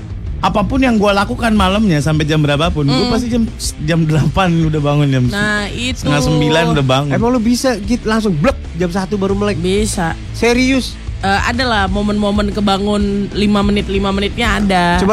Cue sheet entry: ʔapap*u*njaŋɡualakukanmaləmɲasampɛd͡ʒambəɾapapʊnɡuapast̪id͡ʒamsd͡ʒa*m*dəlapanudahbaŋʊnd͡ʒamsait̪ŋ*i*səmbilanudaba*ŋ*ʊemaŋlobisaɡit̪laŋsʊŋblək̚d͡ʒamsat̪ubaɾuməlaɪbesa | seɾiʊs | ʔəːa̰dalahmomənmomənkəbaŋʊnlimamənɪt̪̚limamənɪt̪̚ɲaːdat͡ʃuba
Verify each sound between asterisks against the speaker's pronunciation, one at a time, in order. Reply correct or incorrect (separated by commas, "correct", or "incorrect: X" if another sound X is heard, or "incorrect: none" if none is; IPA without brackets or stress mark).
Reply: incorrect: ʊ, correct, incorrect: a, correct